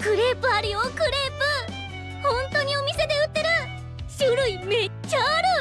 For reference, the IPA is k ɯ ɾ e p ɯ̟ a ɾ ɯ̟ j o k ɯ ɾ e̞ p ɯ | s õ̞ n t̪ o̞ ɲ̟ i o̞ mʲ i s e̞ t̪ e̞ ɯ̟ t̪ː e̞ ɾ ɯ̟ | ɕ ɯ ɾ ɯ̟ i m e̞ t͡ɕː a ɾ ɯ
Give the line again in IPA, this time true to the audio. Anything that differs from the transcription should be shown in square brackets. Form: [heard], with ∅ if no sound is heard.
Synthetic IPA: k ɯ ɾ e p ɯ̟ a ɾ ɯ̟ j o k ɯ ɾ e̞ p ɯ | [h] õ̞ n t̪ o̞ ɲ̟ i o̞ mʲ i s e̞ [d̪] e̞ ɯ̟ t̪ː e̞ ɾ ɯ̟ | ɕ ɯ ɾ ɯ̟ i m e̞ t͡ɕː a ɾ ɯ

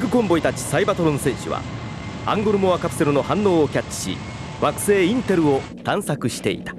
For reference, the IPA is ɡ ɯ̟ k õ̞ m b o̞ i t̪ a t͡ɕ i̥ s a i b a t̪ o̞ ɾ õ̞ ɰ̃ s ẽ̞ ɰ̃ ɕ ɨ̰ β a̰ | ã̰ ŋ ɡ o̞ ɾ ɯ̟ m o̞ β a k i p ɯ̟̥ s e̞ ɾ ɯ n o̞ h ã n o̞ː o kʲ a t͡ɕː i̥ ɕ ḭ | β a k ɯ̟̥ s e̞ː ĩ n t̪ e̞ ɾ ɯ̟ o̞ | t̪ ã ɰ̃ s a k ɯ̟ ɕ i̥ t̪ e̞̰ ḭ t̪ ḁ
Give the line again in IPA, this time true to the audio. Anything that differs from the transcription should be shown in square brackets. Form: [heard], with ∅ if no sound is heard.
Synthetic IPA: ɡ ɯ̟ k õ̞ m b o̞ i t̪ a t͡ɕ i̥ s a i b a t̪ o̞ ɾ õ̞ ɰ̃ s ẽ̞ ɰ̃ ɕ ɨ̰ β a̰ | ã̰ ŋ ɡ o̞ ɾ ɯ̟ m o̞ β a k [a] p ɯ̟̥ s e̞ ɾ ɯ n o̞ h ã [nː] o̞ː o kʲ a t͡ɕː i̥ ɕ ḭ | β a k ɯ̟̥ s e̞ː ĩ n t̪ e̞ ɾ ɯ̟ o̞ | t̪ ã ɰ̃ s a k ɯ̟ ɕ i̥ t̪ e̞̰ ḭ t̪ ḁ

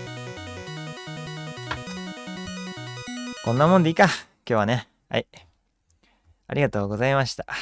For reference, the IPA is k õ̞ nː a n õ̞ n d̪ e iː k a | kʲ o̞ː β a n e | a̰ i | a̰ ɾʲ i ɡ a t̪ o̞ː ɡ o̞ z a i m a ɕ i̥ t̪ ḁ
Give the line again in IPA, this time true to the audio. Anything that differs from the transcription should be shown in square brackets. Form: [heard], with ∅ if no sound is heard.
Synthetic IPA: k õ̞ nː a [m] õ̞ n d̪ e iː k a | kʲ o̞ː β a n e | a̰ i | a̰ ɾʲ i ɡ a t̪ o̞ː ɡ o̞ z a i m a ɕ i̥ t̪ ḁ

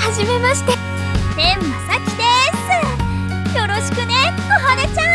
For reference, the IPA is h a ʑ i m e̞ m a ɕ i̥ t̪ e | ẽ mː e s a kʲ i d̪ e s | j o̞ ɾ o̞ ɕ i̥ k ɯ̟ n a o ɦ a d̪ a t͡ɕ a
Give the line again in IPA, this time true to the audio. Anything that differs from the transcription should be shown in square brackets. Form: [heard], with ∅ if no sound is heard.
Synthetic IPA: h a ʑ i m e̞ m a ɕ i̥ t̪ e | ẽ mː [a] s a kʲ i d̪ e s | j o̞ ɾ o̞ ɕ i̥ k ɯ̟ n [e] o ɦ a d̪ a t͡ɕ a

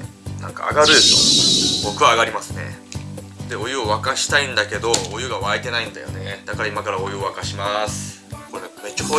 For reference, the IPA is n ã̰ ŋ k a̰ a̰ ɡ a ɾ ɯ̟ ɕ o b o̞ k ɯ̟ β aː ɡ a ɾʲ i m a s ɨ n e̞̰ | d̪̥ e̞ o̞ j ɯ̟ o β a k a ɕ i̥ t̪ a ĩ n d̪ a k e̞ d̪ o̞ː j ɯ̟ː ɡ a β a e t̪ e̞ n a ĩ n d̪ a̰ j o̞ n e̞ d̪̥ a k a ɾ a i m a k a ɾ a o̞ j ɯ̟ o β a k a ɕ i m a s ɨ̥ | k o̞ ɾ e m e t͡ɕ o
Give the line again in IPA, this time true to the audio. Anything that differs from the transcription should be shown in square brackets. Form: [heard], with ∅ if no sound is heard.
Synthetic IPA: n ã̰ ŋ k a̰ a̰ ɡ a ɾ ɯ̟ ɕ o b o̞ k ɯ̟ β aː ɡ a ɾʲ i m a s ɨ n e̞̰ | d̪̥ e̞ o̞ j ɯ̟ o β a k a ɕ i̥ t̪ a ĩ n d̪ a k e̞ d̪ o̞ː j [ɯ̟] ɡ a β a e t̪ e̞ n a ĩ n d̪ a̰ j o̞ n e̞ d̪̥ a k a ɾ a i m a k a ɾ a o̞ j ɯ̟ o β a k a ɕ i m a s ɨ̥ | k o̞ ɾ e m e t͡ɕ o

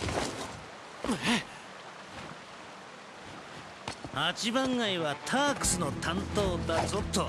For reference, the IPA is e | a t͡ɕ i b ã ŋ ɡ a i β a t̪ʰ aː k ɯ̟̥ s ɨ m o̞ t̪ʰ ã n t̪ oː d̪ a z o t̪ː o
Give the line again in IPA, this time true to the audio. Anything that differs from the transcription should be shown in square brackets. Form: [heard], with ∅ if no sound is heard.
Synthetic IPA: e | a t͡ɕ i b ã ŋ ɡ a i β a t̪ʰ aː k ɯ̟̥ s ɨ [n] o̞ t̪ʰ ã n t̪ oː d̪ a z o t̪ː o

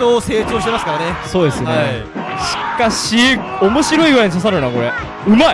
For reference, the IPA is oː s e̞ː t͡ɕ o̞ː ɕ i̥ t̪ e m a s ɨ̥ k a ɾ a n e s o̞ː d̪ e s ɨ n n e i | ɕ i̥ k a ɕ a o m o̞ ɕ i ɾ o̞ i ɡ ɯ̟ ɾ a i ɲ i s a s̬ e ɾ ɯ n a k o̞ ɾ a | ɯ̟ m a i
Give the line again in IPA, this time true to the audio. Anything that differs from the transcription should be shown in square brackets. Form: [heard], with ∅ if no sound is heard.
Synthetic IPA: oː s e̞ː t͡ɕ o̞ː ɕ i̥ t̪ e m a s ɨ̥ k a ɾ a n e s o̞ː d̪ e s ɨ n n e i | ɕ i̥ k a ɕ [i] o m o̞ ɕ i ɾ o̞ i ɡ ɯ̟ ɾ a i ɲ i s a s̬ [a] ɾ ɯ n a k o̞ ɾ [e] | ɯ̟ m a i

